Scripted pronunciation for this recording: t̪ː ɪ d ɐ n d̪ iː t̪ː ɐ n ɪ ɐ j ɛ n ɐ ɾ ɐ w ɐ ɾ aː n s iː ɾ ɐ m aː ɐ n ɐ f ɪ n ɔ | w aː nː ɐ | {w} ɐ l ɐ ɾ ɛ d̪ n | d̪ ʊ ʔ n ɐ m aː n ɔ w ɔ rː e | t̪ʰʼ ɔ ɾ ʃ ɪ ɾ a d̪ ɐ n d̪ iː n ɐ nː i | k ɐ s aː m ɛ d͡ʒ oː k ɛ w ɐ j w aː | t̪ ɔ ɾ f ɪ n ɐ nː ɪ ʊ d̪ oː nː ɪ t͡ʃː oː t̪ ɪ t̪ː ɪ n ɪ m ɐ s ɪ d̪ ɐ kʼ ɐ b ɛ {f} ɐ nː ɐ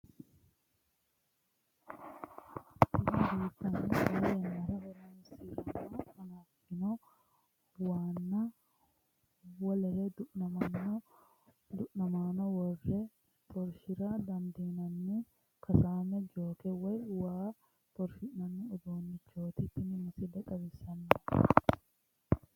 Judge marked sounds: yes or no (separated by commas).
yes, no